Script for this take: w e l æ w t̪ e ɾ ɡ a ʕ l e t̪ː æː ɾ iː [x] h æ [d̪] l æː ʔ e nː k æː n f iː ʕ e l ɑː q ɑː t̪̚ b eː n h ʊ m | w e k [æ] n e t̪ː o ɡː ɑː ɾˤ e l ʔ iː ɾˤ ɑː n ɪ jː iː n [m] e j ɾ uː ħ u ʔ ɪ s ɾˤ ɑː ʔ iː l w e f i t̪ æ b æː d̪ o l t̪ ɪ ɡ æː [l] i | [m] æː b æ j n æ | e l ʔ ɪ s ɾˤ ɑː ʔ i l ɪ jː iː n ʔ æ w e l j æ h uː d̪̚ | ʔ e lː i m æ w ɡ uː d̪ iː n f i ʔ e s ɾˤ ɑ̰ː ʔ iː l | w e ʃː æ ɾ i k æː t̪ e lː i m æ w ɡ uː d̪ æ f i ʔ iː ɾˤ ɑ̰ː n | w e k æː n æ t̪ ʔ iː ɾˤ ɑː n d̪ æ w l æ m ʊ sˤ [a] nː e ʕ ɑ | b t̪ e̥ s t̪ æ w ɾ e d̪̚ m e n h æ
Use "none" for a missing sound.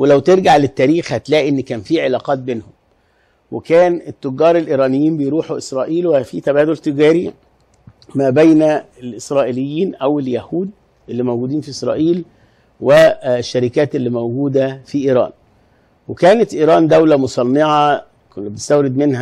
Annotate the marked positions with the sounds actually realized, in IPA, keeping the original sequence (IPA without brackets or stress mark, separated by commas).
x, t̪, æː, b, ɾ, m, ɑ